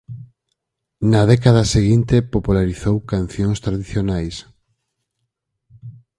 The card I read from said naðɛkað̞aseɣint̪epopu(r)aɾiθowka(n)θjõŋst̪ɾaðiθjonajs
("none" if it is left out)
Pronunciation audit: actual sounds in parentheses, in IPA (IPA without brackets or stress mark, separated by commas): l, n